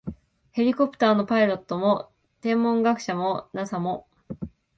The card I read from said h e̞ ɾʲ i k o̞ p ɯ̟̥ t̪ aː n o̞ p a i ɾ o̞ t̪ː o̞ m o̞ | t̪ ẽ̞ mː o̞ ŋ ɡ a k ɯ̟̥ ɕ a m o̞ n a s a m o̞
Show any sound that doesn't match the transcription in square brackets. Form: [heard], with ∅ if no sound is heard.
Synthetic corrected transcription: h e̞ ɾʲ i k o̞ p ɯ̟̥ t̪ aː n o̞ p a i ɾ o̞ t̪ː o̞ m o̞ | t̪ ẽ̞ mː [õ̞] ŋ ɡ a k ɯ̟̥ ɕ a m o̞ n a s a m o̞